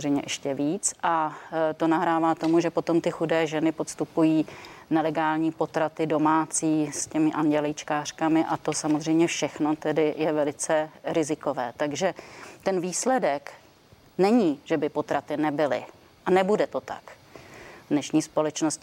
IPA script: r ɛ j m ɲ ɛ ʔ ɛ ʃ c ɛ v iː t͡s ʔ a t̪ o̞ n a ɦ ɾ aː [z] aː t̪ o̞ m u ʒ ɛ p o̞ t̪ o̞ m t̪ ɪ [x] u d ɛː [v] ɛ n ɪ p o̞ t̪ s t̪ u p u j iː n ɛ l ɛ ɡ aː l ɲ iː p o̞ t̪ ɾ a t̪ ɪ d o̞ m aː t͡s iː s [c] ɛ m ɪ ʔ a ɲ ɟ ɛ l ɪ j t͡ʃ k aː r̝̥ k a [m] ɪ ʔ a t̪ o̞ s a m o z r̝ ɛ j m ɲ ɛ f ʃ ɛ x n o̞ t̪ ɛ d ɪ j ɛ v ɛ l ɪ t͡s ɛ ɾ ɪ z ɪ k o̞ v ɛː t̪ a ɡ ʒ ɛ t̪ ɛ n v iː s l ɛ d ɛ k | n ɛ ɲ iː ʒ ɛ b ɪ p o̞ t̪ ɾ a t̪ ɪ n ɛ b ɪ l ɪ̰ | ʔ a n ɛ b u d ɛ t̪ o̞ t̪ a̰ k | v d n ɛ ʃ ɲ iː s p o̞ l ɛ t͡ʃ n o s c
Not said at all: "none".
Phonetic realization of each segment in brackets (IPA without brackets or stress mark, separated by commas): v, x, ʒ, c, m